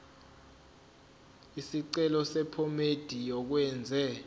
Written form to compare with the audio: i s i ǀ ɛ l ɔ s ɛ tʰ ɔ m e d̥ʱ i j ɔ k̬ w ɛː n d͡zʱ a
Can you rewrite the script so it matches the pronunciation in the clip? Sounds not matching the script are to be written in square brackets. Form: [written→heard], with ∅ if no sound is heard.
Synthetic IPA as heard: i s i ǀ ɛ l ɔ s ɛ [tʰ→pʰ] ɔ m e d̥ʱ i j ɔ k̬ w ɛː n d͡zʱ [a→ɛ]

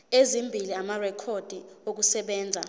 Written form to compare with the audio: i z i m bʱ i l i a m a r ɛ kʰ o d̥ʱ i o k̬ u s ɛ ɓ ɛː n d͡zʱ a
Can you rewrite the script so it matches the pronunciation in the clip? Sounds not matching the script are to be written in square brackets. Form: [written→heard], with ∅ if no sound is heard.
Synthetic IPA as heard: [i→e] z i m bʱ i l i a m a r ɛ kʰ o d̥ʱ i o k̬ u s ɛ ɓ ɛː n d͡zʱ a

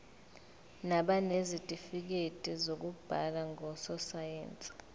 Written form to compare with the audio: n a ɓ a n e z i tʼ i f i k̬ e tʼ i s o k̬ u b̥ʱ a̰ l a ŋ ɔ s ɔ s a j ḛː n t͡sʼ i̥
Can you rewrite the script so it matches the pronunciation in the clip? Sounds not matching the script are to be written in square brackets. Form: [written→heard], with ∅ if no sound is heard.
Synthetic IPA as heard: n a ɓ a n e z i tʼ i f i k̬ e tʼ i [s→z] o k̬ u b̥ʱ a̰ l a ŋ ɔ s ɔ s a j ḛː n t͡sʼ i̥

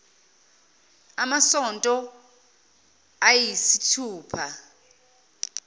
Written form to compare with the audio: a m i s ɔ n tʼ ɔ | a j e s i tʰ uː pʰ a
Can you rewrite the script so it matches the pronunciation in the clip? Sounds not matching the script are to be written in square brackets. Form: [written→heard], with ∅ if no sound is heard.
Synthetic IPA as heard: a m [i→a] s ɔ n tʼ ɔ | a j [e→i] s i tʰ uː pʰ a

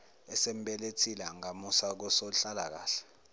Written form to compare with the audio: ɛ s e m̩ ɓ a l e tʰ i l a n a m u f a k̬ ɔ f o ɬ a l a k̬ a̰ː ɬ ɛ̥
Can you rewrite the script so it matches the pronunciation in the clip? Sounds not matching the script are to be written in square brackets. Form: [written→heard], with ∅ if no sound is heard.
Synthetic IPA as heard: ɛ s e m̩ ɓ [a→ɛ] l e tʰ i l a [n→ŋ] a m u [f→s] a k̬ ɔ [f→s] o ɬ a l a k̬ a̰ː ɬ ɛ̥

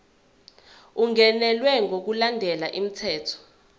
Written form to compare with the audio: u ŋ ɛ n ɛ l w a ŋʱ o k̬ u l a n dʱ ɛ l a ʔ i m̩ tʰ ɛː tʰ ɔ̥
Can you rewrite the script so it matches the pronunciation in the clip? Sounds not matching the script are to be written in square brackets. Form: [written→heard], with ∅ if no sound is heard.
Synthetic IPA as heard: u ŋ ɛ n ɛ l w [a→ɛ] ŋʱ o k̬ u l a n dʱ ɛ l a ʔ i m̩ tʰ ɛː tʰ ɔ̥

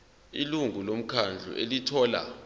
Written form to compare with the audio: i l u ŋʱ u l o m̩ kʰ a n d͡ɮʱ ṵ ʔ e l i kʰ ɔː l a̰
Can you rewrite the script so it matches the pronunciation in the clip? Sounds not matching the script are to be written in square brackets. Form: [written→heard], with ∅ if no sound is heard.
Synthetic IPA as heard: i l u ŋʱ u l o m̩ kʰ a n d͡ɮʱ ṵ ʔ e l i [kʰ→tʰ] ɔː l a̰

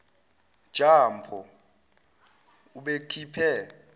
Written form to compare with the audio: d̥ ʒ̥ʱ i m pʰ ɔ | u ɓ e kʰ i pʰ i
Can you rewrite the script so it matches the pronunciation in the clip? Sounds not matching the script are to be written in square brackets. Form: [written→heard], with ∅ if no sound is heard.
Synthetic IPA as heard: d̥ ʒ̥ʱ [i→a] m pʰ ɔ | u ɓ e kʰ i pʰ [i→ɛ]

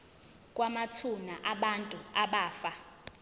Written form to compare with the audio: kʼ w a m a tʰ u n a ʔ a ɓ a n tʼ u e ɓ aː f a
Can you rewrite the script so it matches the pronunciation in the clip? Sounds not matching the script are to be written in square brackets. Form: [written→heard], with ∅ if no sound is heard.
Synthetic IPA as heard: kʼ w a m a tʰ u n a ʔ a ɓ a n tʼ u [e→a] ɓ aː f a

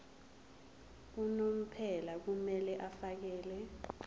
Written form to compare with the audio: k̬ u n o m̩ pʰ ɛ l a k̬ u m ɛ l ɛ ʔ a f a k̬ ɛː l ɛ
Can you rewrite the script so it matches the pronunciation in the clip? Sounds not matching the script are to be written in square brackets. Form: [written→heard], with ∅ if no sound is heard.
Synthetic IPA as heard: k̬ u n o m̩ pʰ ɛ l a k̬ u m ɛ l ɛ ʔ a f a k̬ ɛː l ɛ

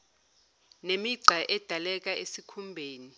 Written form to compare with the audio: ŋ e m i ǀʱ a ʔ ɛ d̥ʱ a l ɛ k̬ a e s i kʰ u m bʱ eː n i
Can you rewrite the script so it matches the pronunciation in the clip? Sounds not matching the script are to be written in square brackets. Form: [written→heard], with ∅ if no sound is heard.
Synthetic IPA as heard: [ŋ→n] e m i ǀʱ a ʔ ɛ d̥ʱ a l ɛ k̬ a e s i kʰ u m bʱ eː n i

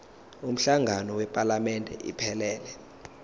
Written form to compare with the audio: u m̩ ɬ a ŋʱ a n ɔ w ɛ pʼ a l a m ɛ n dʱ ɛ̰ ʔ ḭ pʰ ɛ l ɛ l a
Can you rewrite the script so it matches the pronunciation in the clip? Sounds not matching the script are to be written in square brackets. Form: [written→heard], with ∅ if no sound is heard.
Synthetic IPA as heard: u m̩ ɬ a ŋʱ a n ɔ w ɛ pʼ a l a m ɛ n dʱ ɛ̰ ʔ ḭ pʰ ɛ l [ɛ→ɛː] l [a→ɛ]

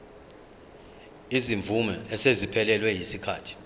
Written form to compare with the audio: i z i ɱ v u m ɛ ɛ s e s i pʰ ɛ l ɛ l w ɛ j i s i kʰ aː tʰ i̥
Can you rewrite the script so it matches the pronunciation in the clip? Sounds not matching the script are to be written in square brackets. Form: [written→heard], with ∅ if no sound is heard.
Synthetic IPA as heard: i z i ɱ v u m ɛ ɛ s e [s→z] i pʰ ɛ l ɛ l w ɛ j i s i kʰ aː tʰ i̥

